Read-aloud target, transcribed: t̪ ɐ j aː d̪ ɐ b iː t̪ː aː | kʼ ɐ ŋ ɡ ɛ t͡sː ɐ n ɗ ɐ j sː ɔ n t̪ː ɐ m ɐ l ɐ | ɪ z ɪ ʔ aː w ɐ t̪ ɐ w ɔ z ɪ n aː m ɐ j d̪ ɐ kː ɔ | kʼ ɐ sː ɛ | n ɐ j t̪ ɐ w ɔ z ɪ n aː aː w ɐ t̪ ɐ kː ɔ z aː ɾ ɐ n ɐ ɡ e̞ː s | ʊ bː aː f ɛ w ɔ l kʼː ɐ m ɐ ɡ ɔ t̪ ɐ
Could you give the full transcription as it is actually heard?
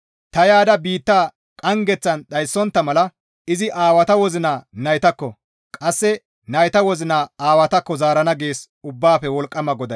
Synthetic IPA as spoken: t̪ ɐ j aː d̪ ɐ b iː t̪ː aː | kʼ ɐ ŋ ɡ ɛ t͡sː ɐ n ɗ ɐ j sː ɔ n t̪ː ɐ m ɐ l ɐ | ɪ z ɪ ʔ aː w ɐ t̪ ɐ w ɔ z ɪ n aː n ɐ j t̪ ɐ kː ɔ | kʼ ɐ sː ɛ | n ɐ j t̪ ɐ w ɔ z ɪ n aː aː w ɐ t̪ ɐ kː ɔ z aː ɾ ɐ n ɐ ɡ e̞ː s | ʊ bː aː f ɛ w ɔ l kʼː ɐ m ɐ ɡ ɔ d̪ ɐ